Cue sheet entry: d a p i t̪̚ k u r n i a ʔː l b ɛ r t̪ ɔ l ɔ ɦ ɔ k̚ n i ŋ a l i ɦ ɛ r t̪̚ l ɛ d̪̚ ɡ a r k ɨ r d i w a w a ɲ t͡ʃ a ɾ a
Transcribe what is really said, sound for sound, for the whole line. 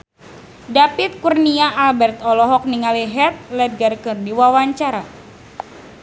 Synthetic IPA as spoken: d a p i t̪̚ k u r n i a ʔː l b ɛ r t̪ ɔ l ɔ ɦ ɔ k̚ n i ŋ a l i ɦ ɛ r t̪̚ l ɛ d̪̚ ɡ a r k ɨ r d i w a w a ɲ t͡ʃ a ɾ a